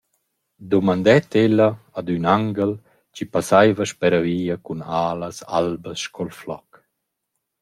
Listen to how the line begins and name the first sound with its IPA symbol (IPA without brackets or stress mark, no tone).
d̪